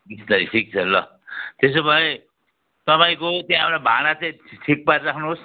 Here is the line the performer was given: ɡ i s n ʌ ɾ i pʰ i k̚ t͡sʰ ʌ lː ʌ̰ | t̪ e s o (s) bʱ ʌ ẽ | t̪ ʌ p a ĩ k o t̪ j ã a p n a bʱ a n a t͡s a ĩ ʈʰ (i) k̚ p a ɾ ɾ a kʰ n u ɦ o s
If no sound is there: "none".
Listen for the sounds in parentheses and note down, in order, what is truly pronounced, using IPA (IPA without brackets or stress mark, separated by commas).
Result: none, i